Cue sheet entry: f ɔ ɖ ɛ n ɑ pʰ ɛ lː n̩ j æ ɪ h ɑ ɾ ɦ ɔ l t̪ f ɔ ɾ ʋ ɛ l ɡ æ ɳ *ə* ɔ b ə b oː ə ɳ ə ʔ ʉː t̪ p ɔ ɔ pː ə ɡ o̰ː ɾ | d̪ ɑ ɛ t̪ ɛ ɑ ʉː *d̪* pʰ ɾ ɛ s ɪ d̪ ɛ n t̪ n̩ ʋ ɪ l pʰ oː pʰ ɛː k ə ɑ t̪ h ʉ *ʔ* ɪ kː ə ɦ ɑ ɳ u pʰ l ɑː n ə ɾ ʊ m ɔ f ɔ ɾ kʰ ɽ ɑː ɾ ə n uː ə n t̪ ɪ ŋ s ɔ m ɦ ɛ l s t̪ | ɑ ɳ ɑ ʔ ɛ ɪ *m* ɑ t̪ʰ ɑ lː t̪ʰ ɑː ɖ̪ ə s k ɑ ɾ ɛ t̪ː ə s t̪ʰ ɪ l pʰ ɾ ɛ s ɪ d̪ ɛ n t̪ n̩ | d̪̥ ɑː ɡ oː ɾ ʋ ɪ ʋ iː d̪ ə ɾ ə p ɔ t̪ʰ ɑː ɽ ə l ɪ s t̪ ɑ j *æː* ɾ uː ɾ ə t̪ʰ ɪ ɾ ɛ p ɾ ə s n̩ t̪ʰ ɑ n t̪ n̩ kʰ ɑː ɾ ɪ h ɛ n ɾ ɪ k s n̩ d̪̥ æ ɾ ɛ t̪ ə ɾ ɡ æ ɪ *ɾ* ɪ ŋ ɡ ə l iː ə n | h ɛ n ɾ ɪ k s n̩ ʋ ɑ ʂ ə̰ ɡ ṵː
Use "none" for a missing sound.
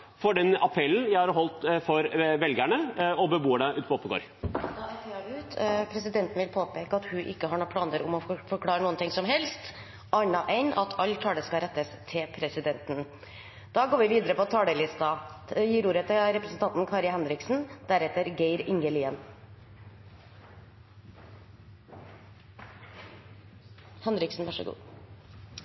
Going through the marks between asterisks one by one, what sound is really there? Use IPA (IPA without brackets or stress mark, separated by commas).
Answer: ə, t̪, ʔ, n, iː, ɾ